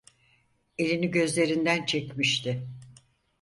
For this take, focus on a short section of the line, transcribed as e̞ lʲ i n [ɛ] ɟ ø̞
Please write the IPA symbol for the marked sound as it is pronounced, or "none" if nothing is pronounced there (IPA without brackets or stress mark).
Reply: i